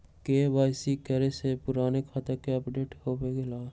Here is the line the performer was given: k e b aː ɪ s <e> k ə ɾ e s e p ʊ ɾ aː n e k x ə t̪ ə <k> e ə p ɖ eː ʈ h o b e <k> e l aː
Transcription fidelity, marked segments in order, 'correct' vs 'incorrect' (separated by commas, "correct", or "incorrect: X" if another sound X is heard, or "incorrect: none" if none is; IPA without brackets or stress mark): incorrect: i, correct, incorrect: ɡ